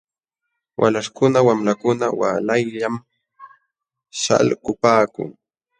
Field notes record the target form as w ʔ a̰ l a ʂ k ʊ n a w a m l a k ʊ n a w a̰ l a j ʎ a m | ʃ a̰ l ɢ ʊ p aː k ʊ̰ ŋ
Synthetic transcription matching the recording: w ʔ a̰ l a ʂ k ʊ n a w a m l a k ʊ n a w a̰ l a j ʎ a m | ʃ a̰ l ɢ ʊ p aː k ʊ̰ ŋ